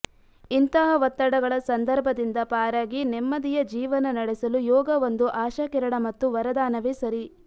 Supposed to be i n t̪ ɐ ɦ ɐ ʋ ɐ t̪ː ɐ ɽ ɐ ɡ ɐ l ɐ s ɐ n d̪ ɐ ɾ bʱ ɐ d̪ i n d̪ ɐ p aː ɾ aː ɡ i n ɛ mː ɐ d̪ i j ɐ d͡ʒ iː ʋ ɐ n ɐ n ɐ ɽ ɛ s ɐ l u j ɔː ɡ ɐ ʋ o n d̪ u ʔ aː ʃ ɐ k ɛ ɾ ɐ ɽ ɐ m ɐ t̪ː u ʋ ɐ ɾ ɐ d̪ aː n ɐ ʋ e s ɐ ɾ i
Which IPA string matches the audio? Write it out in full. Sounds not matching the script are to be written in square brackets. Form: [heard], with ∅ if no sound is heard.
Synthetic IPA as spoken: i n t̪ ɐ ɦ ɐ ʋ ɐ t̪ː ɐ ɽ ɐ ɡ ɐ [ɭ] ɐ s ɐ n d̪ ɐ ɾ bʱ ɐ d̪ i n d̪ ɐ p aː ɾ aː ɡ i n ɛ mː ɐ d̪ i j ɐ d͡ʒ iː ʋ ɐ n ɐ n ɐ ɽ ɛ s ɐ l u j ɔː ɡ ɐ ʋ o n d̪ u ʔ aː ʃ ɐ k ɛ ɾ ɐ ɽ ɐ m ɐ t̪ː u ʋ ɐ ɾ ɐ d̪ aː n ɐ ʋ e s ɐ ɾ i